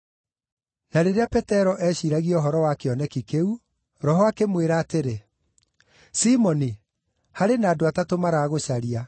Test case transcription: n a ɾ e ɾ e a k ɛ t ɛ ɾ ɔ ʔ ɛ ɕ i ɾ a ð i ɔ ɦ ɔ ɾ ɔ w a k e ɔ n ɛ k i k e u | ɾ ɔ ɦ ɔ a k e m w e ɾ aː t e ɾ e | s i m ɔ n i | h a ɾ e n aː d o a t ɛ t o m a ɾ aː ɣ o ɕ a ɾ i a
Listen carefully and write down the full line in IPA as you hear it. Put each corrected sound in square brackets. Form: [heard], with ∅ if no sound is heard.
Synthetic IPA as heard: n a ɾ e ɾ e a [p] ɛ t ɛ ɾ ɔ ʔ ɛ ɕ i ɾ a [ɣ] i ɔ ɦ ɔ ɾ ɔ w a k e ɔ n ɛ k i k e u | ɾ ɔ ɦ ɔ a k e m w e ɾ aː t e ɾ e | s i m ɔ n i | h a ɾ e n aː d o a t [a] t o m a ɾ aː ɣ o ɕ a ɾ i a